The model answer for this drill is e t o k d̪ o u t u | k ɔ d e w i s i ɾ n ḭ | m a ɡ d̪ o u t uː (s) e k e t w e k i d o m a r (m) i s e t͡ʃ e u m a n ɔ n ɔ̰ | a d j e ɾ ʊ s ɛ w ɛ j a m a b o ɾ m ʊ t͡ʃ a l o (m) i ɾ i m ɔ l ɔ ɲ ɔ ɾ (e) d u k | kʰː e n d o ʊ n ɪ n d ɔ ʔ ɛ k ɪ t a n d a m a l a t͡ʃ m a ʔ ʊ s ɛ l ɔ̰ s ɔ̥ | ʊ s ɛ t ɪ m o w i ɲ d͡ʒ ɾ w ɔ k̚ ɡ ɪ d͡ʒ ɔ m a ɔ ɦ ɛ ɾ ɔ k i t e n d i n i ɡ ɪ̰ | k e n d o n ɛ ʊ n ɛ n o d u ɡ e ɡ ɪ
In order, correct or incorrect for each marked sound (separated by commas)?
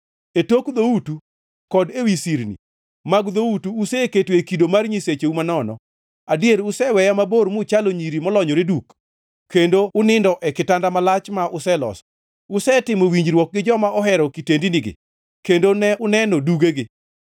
correct, incorrect, incorrect, correct